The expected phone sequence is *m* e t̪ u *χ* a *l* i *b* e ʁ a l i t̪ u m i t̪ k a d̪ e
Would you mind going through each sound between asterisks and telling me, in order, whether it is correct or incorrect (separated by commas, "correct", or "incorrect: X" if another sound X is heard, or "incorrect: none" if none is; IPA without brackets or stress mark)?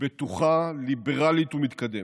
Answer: incorrect: b, correct, correct, correct